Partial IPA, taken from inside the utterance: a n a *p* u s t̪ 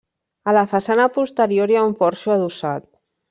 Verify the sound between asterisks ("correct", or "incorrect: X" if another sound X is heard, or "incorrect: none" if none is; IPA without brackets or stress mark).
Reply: correct